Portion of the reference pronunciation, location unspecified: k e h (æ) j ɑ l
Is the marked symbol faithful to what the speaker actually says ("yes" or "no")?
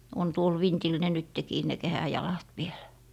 yes